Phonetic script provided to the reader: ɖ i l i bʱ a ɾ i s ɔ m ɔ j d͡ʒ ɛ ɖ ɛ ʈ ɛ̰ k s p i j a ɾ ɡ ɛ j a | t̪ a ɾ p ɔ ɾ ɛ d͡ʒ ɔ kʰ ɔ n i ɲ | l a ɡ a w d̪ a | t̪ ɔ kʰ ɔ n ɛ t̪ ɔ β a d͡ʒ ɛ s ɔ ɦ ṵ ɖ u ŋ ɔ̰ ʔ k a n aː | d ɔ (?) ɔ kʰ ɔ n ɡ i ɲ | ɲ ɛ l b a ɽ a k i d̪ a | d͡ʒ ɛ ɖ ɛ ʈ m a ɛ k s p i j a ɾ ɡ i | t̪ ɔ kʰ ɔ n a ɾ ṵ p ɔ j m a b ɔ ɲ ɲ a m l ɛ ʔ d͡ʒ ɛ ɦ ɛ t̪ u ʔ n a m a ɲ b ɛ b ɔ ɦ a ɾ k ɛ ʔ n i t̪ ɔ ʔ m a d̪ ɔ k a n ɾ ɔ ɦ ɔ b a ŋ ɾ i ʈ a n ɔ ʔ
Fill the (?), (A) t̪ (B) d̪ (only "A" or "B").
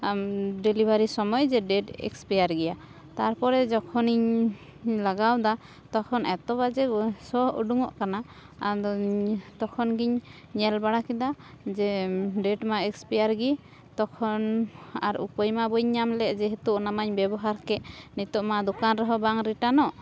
A